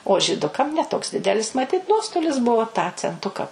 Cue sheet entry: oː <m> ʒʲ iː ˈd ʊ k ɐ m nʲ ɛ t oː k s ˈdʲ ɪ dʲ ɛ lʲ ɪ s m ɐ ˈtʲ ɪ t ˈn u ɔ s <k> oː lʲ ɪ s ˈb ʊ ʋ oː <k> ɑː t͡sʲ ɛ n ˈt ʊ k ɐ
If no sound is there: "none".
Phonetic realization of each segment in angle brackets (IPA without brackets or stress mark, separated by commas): none, t, t